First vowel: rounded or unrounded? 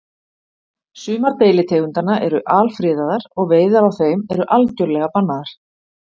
rounded